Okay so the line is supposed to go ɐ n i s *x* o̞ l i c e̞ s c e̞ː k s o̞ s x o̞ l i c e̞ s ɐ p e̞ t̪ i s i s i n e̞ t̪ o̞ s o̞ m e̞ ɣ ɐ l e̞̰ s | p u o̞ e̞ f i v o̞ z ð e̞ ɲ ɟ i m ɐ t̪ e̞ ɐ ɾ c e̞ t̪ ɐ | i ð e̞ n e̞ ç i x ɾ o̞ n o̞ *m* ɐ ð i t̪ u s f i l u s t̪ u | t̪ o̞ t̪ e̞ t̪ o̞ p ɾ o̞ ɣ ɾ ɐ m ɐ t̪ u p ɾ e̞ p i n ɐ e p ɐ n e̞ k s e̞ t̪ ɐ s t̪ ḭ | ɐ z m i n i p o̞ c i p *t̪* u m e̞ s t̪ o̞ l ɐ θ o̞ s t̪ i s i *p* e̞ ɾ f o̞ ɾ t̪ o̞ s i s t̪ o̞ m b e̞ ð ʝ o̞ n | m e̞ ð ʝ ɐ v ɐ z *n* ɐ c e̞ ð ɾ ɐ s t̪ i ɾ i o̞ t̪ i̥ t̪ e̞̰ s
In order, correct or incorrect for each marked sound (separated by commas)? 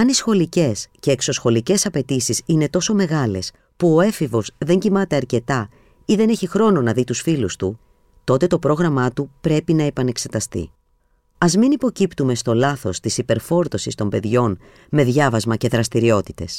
correct, incorrect, correct, correct, incorrect